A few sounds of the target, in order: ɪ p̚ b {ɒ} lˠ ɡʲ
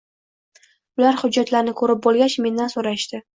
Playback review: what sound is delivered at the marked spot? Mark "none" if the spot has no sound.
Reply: o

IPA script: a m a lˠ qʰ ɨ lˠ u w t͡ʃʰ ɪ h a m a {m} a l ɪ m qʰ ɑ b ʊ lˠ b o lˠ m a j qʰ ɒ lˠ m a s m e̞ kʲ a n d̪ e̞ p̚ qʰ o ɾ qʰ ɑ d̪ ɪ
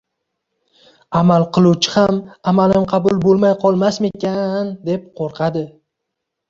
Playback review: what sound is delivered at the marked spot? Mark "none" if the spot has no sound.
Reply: m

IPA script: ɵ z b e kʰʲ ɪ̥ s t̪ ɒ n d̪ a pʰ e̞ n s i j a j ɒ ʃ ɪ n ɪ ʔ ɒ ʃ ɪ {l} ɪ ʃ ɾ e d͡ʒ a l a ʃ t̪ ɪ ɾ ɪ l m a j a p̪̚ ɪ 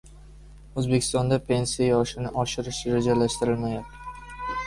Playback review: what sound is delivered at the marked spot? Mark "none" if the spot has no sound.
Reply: ɾ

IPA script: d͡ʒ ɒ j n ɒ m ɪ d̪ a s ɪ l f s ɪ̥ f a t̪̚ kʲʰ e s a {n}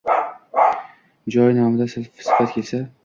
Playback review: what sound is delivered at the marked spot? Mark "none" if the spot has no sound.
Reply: none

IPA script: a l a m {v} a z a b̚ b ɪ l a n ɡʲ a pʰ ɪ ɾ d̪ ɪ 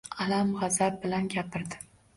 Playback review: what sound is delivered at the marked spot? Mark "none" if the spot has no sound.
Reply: ʁ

